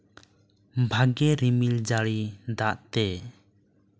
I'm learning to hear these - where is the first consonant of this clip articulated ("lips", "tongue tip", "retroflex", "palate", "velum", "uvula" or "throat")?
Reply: lips